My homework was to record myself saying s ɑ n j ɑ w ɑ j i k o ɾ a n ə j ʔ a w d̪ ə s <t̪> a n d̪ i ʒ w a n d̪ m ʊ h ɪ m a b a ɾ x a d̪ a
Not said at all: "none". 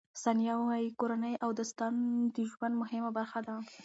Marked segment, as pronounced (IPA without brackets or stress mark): t̪